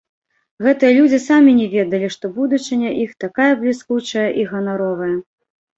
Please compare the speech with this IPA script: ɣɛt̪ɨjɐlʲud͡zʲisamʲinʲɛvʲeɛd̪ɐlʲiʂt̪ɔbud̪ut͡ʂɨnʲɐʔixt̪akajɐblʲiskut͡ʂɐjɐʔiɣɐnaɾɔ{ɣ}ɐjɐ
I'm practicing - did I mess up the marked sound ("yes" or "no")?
yes